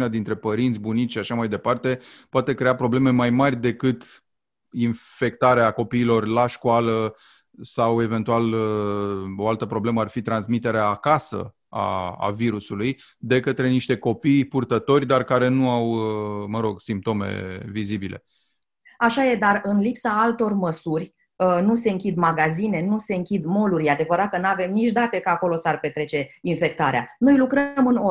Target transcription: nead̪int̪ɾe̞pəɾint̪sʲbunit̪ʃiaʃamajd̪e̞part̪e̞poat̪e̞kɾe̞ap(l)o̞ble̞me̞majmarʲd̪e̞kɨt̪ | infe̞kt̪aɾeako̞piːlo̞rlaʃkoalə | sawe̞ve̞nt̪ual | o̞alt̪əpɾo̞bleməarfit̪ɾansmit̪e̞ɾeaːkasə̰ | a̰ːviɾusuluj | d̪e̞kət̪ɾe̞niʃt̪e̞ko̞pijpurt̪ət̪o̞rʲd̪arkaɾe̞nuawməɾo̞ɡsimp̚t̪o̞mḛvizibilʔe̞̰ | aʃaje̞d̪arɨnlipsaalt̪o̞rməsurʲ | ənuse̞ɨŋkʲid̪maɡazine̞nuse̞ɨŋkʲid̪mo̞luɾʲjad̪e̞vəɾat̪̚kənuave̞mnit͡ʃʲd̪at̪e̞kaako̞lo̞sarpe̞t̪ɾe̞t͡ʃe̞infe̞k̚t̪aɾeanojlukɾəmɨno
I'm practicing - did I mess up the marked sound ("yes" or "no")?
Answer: yes